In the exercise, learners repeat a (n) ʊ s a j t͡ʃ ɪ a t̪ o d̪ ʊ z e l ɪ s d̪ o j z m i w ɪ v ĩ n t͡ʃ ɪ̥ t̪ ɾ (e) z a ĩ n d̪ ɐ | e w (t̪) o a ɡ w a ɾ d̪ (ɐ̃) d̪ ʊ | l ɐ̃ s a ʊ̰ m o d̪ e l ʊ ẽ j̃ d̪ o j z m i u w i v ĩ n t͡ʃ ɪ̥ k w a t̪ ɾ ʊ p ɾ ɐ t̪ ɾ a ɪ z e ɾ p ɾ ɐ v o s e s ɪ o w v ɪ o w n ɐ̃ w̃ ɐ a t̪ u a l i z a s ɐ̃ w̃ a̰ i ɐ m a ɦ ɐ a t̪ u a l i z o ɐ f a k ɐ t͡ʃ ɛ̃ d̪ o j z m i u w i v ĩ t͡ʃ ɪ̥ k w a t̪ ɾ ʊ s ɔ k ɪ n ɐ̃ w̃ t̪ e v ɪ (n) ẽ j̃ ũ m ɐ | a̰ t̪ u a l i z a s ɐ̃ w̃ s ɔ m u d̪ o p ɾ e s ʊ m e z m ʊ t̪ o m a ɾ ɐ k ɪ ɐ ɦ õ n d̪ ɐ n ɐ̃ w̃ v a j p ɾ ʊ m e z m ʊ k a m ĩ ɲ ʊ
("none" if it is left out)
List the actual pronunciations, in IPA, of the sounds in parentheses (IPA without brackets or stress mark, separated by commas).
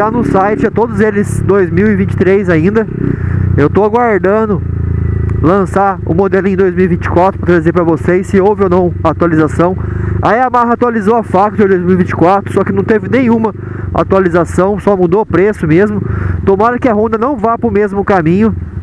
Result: n, e, t̪, ɐ̃, n